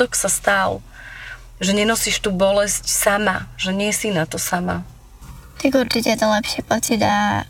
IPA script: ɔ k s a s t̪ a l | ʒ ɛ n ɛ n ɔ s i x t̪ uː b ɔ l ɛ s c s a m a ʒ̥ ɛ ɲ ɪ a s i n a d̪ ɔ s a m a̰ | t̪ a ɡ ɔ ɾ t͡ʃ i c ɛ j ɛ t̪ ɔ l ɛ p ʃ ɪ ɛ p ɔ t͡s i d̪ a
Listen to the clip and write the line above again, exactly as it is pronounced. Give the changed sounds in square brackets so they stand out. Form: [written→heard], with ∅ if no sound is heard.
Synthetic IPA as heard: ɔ k s a s t̪ a l | ʒ ɛ [n→ɲ] ɛ n ɔ s i [x→ʃ] t̪ uː b ɔ l ɛ s c s a m a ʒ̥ ɛ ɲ ɪ [a→ɛ] s i n a [d̪→t̪] ɔ s a m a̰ | t̪ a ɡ [ɔ→u] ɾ t͡ʃ i c ɛ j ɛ t̪ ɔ l ɛ p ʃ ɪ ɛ p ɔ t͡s i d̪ a